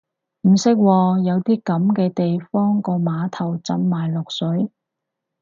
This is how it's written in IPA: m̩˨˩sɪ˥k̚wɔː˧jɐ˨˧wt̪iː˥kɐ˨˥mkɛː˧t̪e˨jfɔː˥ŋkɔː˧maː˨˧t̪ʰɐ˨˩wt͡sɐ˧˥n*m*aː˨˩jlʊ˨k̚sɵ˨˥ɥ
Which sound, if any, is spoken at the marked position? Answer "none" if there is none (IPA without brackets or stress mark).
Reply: m